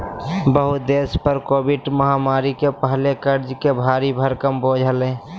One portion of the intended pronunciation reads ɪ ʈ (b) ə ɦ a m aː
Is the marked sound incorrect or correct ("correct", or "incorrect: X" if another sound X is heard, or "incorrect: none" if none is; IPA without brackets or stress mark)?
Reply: incorrect: m